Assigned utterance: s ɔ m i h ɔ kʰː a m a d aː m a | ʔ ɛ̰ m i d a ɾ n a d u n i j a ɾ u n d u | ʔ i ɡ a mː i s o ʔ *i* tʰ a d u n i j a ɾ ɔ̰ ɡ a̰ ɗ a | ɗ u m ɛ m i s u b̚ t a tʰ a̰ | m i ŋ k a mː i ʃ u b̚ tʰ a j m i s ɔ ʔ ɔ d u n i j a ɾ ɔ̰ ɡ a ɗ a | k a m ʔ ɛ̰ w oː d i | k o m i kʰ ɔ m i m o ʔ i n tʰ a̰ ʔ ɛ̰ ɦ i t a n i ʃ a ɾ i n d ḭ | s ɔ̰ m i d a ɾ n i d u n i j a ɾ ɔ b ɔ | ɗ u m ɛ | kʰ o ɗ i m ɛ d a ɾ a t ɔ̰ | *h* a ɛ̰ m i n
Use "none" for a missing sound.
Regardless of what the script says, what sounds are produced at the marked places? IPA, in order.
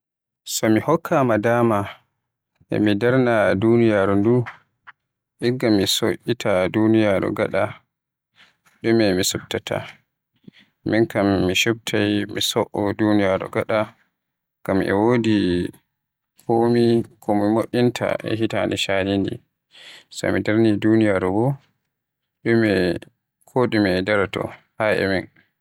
i, h

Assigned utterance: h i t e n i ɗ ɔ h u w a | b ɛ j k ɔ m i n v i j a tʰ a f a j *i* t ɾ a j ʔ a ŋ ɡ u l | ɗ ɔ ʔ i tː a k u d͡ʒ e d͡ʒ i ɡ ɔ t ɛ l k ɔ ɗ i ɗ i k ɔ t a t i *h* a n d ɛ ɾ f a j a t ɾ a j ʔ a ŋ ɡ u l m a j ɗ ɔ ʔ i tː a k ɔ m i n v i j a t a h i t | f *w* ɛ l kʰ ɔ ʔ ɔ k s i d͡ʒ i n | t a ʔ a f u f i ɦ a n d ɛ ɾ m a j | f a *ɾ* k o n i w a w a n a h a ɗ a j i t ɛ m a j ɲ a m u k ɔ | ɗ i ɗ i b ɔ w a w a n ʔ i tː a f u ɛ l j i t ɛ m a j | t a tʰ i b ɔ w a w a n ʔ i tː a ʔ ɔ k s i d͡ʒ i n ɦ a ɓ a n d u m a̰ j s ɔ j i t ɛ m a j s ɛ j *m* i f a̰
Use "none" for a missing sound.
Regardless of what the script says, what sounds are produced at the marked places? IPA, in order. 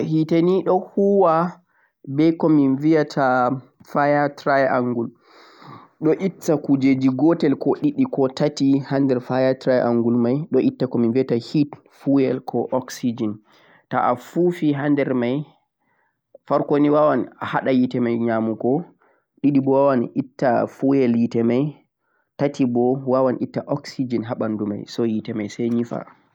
a, h, u, ɾ, ɲ

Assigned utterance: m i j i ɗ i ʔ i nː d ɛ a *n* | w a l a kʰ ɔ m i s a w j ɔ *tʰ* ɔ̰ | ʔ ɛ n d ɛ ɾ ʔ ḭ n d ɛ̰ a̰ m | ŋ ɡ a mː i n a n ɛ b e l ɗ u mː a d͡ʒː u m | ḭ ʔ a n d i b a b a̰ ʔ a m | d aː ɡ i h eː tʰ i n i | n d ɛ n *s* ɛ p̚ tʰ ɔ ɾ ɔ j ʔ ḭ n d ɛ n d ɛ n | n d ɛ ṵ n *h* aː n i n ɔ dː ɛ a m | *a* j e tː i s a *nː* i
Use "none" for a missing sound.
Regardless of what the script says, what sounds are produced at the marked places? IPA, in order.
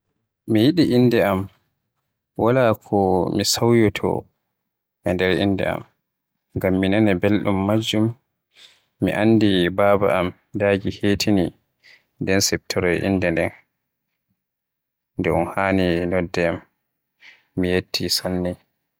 m, tʰ, s, h, i, nː

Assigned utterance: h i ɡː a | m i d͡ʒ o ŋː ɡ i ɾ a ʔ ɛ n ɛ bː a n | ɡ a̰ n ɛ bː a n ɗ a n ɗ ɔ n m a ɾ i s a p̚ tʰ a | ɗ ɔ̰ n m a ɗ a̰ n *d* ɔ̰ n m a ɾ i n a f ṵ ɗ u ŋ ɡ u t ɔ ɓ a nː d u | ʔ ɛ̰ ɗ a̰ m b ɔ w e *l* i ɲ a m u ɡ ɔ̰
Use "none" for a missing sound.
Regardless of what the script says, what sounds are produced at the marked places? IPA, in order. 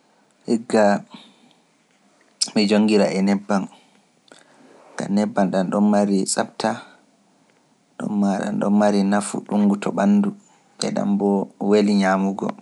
ɗ, l

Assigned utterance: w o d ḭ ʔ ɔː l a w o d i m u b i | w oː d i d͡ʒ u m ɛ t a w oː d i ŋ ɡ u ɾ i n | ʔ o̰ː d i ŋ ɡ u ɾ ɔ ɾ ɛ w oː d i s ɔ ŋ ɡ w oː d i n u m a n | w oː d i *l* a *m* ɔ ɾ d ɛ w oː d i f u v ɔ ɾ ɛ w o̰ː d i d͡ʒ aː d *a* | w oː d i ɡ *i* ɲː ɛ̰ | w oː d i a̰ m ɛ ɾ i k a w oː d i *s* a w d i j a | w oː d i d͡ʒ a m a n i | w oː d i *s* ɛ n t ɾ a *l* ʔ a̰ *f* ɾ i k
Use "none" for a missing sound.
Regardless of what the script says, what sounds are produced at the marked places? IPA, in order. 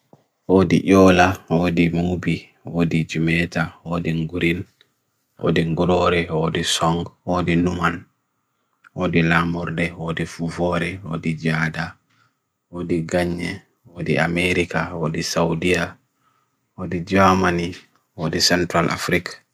l, m, a, a, s, s, l, f

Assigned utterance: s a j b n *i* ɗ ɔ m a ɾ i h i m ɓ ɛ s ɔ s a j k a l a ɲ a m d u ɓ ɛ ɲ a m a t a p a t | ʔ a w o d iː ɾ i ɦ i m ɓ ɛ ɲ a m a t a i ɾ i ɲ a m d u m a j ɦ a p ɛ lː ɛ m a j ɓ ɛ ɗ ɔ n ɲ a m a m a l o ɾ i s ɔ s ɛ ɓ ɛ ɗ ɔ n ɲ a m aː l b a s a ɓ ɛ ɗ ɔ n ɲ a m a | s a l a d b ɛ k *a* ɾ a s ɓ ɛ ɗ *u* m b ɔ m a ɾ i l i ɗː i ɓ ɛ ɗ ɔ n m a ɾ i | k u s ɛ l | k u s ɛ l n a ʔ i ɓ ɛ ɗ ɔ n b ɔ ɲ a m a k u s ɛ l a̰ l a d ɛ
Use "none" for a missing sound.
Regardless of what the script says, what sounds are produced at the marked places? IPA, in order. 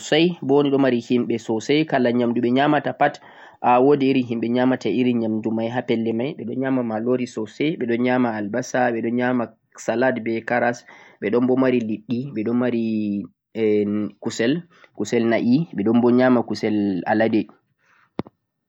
i, a, ɔ

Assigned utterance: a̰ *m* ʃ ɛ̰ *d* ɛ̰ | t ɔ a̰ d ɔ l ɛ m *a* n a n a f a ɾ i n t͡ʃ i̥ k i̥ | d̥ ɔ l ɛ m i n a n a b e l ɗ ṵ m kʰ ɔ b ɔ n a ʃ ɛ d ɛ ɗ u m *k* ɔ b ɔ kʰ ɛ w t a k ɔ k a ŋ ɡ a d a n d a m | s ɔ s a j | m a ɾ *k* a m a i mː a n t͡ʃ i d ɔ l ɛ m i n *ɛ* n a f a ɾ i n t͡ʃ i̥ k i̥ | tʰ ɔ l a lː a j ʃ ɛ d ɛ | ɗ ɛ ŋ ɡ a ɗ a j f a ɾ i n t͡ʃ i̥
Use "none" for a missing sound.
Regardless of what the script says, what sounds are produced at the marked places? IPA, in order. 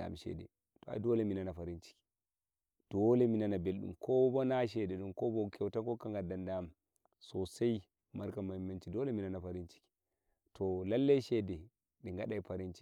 m, d, i, k, k, a

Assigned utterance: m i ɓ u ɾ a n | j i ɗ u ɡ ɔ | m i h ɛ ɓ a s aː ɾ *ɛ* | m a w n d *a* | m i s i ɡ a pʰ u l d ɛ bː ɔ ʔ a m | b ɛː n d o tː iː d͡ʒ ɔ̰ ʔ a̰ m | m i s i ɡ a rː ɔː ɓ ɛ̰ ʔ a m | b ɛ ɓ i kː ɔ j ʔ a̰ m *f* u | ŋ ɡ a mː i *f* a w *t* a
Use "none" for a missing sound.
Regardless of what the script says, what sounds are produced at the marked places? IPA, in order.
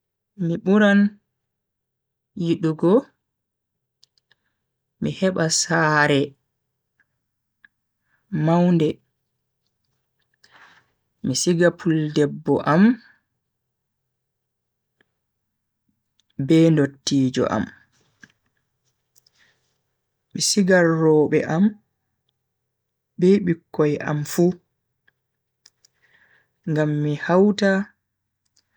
ɛ, ɛ, f, h, t

